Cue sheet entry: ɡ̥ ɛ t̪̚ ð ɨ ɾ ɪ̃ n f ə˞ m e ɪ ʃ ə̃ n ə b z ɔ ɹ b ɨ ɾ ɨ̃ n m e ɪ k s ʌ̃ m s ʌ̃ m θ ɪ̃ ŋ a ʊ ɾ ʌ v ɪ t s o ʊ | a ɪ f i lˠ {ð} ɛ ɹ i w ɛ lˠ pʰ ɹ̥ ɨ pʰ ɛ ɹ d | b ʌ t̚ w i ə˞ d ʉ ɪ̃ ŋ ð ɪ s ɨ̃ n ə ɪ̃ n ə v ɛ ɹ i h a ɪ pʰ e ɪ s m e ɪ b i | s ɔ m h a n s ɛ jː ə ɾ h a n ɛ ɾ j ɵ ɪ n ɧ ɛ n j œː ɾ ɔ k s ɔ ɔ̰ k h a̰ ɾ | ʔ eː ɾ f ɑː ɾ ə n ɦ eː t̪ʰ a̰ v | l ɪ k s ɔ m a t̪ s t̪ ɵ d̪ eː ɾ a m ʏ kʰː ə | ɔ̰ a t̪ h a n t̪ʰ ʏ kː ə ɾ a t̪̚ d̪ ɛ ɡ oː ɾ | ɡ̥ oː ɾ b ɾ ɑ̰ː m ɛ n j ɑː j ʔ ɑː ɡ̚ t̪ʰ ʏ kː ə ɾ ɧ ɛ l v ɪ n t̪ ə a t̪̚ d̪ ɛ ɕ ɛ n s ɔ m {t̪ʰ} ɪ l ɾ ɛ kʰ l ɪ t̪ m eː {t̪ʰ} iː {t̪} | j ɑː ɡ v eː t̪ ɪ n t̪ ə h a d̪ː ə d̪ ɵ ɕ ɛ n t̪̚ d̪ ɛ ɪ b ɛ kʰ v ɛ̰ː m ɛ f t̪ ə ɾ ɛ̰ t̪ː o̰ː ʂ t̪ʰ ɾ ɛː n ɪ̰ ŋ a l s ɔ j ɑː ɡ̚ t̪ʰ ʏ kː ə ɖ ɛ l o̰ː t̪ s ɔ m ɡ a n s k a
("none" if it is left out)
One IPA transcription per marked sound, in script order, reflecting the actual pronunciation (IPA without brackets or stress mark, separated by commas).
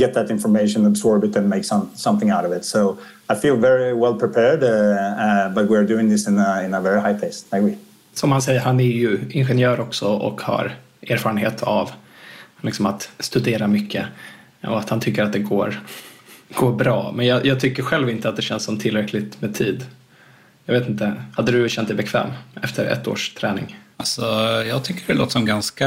v, t̪ʰ, t̪ʰ, d̪